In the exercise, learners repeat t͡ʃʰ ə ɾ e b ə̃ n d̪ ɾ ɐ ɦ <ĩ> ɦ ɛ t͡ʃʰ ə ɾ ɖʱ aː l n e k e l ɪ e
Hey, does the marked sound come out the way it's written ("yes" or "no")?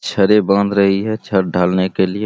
no